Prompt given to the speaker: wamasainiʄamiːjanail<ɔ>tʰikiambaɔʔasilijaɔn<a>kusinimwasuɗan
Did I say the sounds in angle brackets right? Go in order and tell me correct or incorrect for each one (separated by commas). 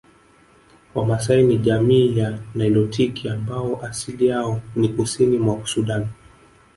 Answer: correct, incorrect